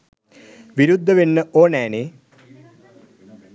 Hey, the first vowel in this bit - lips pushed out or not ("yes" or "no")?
no